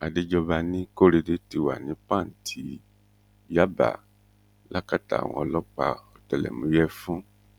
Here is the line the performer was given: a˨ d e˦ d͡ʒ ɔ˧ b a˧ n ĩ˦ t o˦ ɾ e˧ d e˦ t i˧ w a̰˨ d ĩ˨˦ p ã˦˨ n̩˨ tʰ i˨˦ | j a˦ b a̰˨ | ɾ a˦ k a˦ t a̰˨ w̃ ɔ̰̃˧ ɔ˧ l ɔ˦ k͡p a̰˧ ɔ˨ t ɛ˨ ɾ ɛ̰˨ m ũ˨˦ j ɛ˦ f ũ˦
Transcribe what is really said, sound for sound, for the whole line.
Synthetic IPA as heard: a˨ d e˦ d͡ʒ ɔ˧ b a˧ n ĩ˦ k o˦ ɾ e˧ d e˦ t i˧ w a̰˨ n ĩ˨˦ p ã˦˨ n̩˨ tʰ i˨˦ | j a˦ b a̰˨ | l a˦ k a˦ t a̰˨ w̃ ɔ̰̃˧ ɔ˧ l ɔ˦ k͡p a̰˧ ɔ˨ t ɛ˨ l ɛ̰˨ m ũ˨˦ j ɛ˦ f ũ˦